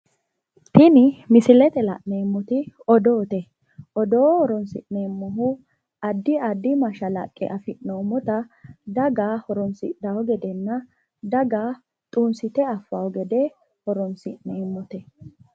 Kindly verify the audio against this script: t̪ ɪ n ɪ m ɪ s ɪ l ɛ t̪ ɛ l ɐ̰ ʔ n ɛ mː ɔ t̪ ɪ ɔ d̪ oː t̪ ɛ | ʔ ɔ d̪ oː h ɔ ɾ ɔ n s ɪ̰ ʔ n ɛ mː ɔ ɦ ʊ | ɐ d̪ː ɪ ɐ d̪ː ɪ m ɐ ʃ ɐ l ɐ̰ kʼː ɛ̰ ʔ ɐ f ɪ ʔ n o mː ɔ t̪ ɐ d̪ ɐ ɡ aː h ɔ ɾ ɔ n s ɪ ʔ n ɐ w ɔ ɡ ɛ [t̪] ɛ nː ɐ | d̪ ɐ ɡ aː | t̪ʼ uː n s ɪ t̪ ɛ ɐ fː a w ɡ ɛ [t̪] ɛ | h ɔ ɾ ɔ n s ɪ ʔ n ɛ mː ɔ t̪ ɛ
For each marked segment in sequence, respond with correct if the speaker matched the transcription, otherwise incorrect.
incorrect: d̪, incorrect: d̪

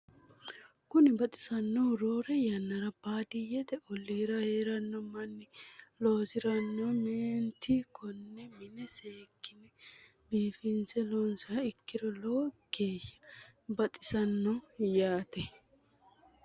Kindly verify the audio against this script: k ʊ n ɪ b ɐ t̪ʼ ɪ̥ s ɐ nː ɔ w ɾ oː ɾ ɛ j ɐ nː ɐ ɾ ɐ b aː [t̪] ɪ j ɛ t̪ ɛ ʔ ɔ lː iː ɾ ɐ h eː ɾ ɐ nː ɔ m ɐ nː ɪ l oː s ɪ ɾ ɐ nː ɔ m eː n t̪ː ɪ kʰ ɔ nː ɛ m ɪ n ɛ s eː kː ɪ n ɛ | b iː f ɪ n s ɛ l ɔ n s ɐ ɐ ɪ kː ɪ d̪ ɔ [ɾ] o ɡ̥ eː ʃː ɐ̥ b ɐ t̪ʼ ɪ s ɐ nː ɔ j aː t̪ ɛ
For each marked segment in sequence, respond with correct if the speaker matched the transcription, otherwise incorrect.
incorrect: d̪, incorrect: l

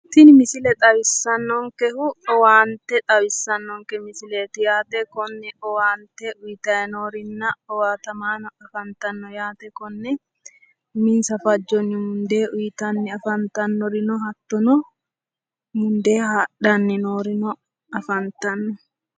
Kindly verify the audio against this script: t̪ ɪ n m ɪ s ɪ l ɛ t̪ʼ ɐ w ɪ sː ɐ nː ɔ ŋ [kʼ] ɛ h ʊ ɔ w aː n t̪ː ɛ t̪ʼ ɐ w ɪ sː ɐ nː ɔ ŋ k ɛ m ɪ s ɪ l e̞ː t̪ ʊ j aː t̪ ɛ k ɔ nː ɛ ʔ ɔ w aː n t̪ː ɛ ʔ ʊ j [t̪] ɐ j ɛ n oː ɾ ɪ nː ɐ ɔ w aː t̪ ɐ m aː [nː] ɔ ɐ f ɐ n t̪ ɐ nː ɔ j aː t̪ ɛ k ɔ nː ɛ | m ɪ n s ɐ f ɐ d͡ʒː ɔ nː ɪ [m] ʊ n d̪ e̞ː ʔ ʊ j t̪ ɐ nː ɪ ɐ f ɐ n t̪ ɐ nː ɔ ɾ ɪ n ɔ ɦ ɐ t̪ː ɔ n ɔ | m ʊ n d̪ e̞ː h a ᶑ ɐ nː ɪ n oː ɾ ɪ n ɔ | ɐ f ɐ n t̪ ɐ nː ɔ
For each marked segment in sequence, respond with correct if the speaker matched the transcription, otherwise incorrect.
incorrect: k, correct, incorrect: n, correct

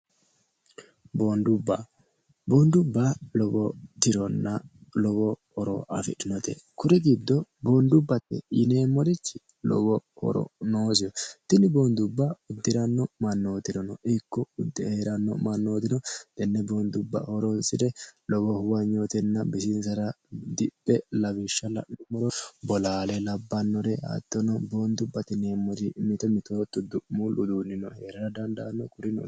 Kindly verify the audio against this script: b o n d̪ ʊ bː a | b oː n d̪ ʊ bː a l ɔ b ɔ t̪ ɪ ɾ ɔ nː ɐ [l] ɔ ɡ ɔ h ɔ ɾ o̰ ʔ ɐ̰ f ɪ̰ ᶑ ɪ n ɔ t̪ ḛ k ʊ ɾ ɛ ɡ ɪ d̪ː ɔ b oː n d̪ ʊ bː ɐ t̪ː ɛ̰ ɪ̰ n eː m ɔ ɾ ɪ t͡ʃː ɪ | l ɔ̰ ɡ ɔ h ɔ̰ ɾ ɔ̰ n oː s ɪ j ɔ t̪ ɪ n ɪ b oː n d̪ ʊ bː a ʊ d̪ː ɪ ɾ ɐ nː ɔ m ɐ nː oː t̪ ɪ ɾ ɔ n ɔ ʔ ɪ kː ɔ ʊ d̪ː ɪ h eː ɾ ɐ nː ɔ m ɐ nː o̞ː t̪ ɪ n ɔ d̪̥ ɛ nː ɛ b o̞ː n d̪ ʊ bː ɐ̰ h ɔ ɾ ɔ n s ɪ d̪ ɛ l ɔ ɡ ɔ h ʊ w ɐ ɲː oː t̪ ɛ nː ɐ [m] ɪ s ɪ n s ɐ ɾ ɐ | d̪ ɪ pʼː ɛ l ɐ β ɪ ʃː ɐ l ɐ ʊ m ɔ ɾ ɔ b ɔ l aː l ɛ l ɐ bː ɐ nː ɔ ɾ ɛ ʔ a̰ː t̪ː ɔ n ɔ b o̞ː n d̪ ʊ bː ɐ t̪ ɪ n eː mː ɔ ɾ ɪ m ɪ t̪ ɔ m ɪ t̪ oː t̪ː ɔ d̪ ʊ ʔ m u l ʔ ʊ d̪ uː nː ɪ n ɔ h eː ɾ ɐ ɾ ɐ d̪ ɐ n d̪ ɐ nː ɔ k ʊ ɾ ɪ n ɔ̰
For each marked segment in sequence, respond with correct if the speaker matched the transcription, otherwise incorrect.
correct, incorrect: b

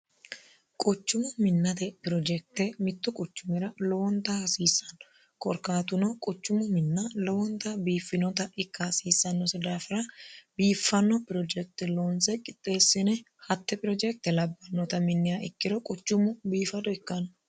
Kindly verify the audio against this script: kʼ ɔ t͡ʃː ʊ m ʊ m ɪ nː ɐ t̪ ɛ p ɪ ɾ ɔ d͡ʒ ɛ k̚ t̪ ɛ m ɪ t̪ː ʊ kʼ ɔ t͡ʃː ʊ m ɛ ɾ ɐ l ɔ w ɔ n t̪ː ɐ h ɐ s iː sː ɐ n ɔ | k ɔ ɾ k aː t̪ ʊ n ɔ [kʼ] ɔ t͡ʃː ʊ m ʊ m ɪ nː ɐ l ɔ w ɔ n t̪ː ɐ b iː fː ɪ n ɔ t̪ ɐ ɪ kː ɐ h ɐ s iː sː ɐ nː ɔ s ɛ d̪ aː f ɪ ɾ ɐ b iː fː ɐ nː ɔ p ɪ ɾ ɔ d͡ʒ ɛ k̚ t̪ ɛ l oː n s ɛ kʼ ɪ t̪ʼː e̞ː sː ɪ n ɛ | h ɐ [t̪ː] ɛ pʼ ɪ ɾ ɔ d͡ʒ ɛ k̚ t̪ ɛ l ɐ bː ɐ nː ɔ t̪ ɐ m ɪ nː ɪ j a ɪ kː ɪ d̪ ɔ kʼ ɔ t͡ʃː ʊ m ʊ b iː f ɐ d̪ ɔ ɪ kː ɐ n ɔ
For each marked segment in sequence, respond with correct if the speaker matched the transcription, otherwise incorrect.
correct, correct

